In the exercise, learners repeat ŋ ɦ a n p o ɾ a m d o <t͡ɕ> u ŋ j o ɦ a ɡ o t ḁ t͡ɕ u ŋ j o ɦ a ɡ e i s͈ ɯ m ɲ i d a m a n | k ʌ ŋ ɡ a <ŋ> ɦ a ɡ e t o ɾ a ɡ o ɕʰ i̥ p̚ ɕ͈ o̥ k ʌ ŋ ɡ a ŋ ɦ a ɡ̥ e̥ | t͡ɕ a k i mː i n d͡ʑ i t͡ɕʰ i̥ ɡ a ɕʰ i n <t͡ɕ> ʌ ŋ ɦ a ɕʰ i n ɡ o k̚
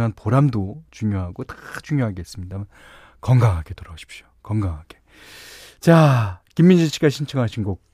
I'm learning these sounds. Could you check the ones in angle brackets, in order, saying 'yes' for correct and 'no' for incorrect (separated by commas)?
yes, yes, no